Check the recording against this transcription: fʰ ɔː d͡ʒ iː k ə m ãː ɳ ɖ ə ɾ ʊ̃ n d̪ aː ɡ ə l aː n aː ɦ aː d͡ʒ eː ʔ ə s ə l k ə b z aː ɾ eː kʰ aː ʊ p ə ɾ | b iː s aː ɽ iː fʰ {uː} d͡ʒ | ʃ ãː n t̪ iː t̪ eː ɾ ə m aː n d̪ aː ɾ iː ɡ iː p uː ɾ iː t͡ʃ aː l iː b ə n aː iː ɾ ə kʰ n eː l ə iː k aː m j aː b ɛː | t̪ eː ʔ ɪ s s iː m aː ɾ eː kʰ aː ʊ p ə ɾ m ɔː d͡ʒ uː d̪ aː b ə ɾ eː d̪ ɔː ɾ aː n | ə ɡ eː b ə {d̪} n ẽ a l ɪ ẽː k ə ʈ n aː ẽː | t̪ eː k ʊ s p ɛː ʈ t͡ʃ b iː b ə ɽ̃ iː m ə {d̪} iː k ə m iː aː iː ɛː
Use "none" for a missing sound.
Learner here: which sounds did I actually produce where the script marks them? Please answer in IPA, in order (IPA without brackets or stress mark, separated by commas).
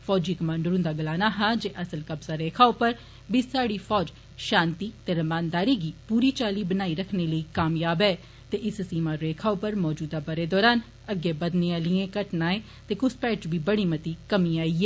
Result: ɔː, d̪, t̪